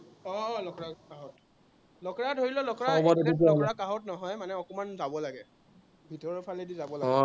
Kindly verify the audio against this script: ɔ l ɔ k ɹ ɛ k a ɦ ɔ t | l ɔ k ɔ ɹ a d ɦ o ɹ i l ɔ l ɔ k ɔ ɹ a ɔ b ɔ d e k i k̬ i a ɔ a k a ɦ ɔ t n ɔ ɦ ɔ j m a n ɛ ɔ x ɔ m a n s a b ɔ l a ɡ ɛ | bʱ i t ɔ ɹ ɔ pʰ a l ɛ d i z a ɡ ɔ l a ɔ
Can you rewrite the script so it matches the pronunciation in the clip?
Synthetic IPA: ɔ l ɔ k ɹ a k a ɦ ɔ t | l ɔ k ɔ ɹ a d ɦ o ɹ i l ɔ l ɔ k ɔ ɹ a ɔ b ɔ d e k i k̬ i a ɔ a k a ɦ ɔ t n ɔ ɦ ɔ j m a n ɛ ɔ k ɔ m a n z a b ɔ l a ɡ ɛ | bʱ i t ɔ ɹ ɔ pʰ a l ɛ d i z a b ɔ l a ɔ